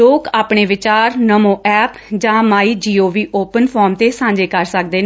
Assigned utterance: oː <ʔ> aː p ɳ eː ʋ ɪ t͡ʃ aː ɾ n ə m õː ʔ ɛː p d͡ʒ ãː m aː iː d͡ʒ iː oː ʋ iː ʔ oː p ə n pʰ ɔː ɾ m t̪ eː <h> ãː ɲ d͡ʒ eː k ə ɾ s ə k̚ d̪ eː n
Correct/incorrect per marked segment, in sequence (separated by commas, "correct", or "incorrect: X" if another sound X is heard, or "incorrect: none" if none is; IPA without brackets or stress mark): incorrect: k, incorrect: s